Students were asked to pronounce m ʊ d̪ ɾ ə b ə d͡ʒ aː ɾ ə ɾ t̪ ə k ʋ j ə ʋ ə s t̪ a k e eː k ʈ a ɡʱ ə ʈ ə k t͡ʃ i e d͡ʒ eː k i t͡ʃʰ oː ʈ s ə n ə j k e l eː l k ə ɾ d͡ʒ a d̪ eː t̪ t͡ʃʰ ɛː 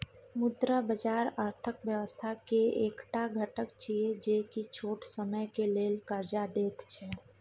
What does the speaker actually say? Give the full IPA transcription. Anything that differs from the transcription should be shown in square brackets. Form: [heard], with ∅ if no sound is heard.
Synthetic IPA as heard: m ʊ d̪ ɾ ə b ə d͡ʒ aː ɾ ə ɾ [t̪ʰ] ə k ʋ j ə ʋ ə s [t̪ʰ] a k e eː k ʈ a ɡʱ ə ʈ ə k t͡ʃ i e d͡ʒ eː k i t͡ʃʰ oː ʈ s ə [m] ə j k e l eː l k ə ɾ d͡ʒ a d̪ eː t̪ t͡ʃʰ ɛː